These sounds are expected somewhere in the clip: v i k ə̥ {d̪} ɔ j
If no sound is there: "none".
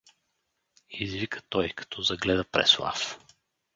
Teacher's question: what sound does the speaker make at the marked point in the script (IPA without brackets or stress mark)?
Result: t̪